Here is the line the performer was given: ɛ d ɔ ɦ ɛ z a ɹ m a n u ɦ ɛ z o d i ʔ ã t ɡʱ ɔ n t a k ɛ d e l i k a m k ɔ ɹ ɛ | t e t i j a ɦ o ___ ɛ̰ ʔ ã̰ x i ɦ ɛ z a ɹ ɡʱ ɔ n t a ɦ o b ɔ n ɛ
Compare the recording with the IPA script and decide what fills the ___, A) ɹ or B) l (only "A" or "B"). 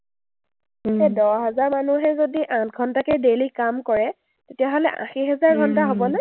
B